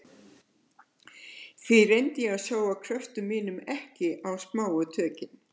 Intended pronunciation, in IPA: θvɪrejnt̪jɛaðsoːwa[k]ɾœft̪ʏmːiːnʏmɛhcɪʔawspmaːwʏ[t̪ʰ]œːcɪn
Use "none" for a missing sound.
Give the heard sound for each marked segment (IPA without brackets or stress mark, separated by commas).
kʰ, t̪ʰ